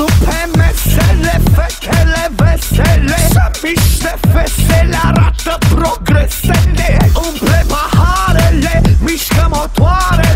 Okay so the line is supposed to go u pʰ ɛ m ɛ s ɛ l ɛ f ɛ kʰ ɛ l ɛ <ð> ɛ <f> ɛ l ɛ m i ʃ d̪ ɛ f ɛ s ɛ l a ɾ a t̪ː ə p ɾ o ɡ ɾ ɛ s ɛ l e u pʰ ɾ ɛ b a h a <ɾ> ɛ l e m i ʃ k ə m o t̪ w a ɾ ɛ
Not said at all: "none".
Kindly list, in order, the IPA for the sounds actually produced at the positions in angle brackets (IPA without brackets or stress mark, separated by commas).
v, s, ɾ